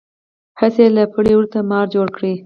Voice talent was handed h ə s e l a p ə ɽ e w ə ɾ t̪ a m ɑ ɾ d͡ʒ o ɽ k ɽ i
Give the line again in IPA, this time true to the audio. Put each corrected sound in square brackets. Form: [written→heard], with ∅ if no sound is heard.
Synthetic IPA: h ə s e l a p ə ɽ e w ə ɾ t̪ a m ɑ ɾ d͡ʒ o ɽ k ɽ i